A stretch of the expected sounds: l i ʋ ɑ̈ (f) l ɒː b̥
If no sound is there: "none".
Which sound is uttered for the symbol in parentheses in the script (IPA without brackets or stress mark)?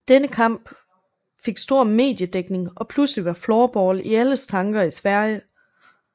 f